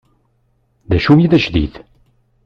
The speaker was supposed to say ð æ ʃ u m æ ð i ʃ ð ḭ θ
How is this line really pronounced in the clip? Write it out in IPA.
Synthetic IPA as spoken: ð æ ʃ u m i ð æ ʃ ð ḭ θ

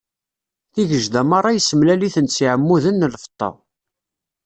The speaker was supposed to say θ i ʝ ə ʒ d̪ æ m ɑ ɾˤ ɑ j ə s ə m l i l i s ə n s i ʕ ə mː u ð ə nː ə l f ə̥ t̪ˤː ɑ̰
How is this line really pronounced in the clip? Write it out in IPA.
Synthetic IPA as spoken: θ i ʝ ə ʒ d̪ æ m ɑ ɾˤ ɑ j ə s ə m l æ l i θ ə n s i ʕ ə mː u ð ə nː ə l f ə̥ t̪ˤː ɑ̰

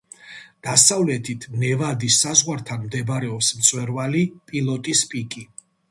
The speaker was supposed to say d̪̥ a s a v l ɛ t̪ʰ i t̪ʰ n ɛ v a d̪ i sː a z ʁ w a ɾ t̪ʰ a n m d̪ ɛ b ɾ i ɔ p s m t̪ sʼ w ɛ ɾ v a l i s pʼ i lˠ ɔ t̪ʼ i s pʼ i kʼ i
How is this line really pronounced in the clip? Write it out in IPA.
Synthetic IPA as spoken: d̪̥ a s a v l ɛ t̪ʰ i t̪ʰ n ɛ v a d̪ i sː a z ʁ w a ɾ t̪ʰ a n m d̪ ɛ b ɾ ɛ ɔ p s m t̪ sʼ w ɛ ɾ v a l i pʼ i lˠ ɔ t̪ʼ i s pʼ i kʼ i

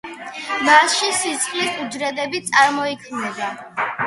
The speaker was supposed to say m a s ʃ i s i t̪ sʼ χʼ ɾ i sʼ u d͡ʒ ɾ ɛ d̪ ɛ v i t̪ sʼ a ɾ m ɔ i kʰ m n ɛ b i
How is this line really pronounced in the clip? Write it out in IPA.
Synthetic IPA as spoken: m a s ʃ i s i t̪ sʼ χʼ l i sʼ u d͡ʒ ɾ ɛ d̪ ɛ b i t̪ sʼ a ɾ m ɔ i kʰ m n ɛ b a

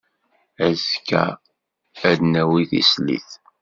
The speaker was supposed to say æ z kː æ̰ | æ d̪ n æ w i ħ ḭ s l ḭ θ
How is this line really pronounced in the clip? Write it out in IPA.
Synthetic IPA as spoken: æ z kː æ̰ | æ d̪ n æ w i θ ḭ s l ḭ θ

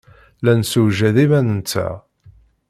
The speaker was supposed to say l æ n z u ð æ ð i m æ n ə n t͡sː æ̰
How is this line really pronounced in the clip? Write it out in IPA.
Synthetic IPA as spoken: l æ n s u ʒ æ ð i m æ n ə n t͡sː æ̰

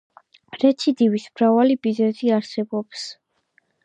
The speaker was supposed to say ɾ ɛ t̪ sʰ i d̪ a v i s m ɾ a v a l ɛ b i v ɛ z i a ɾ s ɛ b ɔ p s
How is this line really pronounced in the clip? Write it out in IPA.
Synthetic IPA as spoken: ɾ ɛ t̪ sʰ i d̪ i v i s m ɾ a v a l i b i z ɛ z i a ɾ s ɛ b ɔ p s

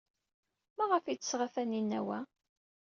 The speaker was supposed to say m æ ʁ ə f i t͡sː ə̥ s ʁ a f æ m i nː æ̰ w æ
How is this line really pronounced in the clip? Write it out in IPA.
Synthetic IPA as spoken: m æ ʁ ə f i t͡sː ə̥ s ʁ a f æ n i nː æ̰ w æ

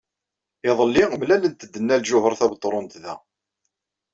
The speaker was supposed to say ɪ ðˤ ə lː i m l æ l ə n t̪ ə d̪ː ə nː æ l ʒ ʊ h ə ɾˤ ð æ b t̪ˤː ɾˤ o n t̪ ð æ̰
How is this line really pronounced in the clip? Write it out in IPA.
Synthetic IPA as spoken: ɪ ðˤ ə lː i m l æ l ə n t̪ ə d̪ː ə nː æ l ʒ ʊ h ə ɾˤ θ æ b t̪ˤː ɾˤ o n t̪ ð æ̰

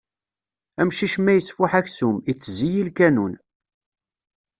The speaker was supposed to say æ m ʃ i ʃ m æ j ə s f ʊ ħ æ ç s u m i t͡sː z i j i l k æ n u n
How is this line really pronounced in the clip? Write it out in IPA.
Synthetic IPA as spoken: æ m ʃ i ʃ m æ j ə s f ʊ ħ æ ç s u m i t͡sː z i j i l k æ n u n

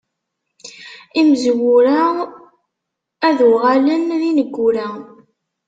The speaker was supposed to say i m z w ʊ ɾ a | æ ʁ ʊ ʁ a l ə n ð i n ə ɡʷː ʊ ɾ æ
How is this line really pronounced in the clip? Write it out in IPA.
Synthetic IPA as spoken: i m z w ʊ ɾ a | æ ð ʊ ʁ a l ə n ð i n ə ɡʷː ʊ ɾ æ

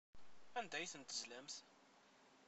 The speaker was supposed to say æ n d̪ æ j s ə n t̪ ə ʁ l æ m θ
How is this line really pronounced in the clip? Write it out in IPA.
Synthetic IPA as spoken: æ n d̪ æ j θ ə n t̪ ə z l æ m θ

